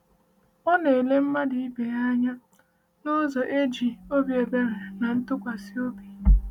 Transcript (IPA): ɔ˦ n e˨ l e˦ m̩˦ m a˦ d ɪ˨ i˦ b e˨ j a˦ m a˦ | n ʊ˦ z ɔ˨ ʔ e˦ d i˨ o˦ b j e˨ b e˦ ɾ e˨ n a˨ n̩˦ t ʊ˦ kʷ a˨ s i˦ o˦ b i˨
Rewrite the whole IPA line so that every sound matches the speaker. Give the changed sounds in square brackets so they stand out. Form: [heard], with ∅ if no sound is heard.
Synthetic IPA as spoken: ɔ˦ n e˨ l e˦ m̩˦ m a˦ d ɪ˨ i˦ b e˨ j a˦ [ɲ] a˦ | n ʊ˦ z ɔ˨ ʔ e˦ [d͡ʒ] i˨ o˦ b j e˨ b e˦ ɾ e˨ n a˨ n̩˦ t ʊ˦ kʷ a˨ s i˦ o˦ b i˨